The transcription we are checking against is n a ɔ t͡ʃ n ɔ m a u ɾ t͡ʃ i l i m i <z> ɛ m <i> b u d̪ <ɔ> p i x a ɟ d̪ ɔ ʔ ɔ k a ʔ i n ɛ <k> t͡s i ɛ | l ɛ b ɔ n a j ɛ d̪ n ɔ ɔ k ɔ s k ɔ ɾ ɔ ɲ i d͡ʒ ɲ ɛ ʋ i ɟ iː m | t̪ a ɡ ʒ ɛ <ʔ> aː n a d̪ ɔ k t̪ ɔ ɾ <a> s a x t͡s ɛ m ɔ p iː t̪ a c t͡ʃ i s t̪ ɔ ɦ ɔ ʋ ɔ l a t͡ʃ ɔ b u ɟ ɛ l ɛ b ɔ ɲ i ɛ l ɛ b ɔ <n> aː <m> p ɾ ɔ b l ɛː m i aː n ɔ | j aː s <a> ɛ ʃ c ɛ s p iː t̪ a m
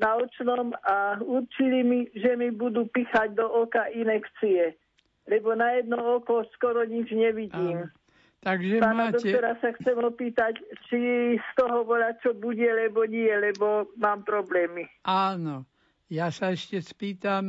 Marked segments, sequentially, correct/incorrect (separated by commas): incorrect, correct, incorrect, correct, incorrect, correct, incorrect, correct, correct